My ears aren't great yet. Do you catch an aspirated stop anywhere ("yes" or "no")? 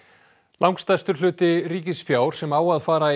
no